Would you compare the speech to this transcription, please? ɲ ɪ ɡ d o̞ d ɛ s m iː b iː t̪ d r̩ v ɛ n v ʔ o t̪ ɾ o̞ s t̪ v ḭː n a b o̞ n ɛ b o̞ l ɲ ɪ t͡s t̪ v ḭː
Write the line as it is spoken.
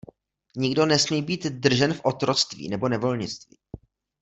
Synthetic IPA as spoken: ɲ ɪ ɡ d o̞ n ɛ s m iː b iː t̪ d r̩ ʒ ɛ n f ʔ o t̪ ɾ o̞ t͡s t̪ v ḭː n ɛ b o̞ n ɛ v o̞ l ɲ ɪ t͡s t̪ v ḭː